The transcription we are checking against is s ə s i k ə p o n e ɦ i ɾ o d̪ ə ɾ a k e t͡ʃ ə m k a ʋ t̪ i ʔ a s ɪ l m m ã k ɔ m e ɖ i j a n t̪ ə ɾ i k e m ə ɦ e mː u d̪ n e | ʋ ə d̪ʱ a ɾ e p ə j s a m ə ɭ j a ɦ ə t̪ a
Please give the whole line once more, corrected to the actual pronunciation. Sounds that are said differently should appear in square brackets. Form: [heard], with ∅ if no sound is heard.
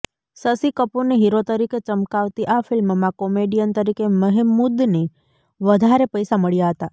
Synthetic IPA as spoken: s ə s i k ə p o n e ɦ i ɾ o [t̪] ə ɾ [i] k e t͡ʃ ə m k a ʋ t̪ i ʔ a [f] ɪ l m m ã k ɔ m e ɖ i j [ə] n t̪ ə ɾ i k e m ə ɦ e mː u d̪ n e | ʋ ə d̪ʱ a ɾ e p ə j s a m ə ɭ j a ɦ ə t̪ a